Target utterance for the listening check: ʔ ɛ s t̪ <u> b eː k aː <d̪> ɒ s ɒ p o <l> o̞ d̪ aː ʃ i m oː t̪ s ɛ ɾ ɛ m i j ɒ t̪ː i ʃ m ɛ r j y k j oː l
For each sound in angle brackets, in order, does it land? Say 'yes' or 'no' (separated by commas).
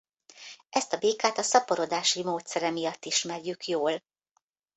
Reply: no, no, no